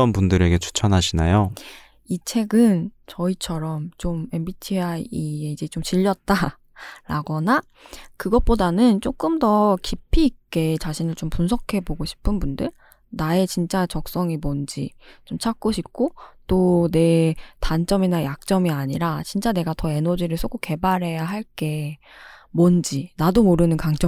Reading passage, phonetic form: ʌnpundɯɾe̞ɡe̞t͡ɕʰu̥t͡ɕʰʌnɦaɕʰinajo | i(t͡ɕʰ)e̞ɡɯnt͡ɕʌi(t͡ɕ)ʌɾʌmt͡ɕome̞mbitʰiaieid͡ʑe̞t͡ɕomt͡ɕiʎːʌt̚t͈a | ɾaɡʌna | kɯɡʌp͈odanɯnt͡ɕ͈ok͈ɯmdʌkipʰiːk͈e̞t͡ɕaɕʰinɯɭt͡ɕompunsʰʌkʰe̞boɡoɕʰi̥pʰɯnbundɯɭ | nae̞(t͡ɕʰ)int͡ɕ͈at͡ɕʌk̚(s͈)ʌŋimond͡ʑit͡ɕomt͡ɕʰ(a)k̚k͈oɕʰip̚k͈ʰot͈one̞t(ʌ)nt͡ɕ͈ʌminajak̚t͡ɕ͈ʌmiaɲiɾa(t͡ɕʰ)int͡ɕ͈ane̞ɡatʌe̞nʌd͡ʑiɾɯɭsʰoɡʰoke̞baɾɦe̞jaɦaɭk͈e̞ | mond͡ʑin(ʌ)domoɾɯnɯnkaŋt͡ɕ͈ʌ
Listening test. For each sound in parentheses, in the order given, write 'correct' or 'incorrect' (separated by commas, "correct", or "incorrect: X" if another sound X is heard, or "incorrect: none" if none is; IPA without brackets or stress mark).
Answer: correct, incorrect: t͡ɕʰ, incorrect: t͡ɕ, correct, correct, incorrect: a, incorrect: t͡ɕ, incorrect: a